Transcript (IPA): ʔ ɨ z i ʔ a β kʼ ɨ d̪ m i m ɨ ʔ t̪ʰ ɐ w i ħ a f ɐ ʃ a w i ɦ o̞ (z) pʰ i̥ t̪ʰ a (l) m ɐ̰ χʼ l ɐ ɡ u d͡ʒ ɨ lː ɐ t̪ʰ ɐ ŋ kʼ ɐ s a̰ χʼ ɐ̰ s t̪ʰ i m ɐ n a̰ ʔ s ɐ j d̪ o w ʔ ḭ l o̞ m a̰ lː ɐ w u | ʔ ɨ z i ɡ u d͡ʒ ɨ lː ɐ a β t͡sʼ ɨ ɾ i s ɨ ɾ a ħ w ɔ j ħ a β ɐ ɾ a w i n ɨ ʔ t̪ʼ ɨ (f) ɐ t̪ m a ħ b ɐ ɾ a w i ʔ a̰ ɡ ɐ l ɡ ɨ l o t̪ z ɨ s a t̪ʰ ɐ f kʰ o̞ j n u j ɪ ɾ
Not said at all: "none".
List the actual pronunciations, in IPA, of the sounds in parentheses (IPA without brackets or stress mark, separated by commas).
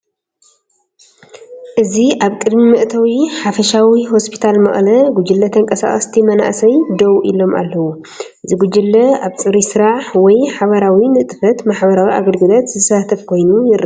s, l, f